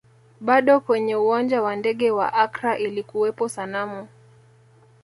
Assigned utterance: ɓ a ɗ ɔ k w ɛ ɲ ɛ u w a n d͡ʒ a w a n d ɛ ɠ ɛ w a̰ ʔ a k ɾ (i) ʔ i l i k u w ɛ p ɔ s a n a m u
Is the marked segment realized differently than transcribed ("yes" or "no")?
yes